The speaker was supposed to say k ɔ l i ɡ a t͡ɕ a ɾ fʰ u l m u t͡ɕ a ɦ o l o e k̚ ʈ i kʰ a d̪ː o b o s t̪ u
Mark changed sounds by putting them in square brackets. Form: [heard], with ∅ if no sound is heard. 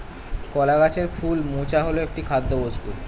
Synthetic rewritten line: k ɔ l [a] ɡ a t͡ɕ [e] ɾ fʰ u l m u t͡ɕ a ɦ o l o e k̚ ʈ i kʰ a d̪ː o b o s t̪ u